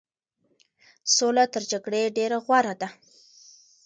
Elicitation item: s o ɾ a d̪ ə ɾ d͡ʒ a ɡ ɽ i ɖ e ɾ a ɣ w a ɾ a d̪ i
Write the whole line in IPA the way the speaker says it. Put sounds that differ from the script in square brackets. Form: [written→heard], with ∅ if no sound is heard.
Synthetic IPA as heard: s o [ɾ→l] a [d̪→t̪] ə ɾ d͡ʒ a ɡ ɽ [i→e] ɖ e ɾ a ɣ w a ɾ a d̪ [i→a]